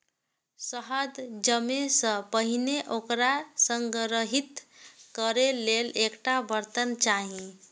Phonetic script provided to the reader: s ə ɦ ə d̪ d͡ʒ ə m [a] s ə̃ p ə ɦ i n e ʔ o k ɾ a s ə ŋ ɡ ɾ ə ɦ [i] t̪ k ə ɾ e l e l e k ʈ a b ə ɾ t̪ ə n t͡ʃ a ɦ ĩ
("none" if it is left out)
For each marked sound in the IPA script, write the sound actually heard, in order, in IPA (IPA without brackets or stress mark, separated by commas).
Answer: e, i